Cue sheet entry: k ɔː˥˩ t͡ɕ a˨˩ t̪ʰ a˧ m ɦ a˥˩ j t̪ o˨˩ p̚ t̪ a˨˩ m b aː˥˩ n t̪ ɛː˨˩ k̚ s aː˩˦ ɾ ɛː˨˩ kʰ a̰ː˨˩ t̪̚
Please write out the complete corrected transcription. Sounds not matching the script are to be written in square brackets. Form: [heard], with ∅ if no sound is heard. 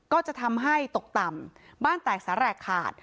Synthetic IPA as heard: k ɔː˥˩ t͡ɕ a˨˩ t̪ʰ a˧ m ɦ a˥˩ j t̪ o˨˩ [k̚] t̪ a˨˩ m b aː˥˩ n t̪ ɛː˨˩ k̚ s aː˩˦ ɾ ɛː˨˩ kʰ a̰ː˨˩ t̪̚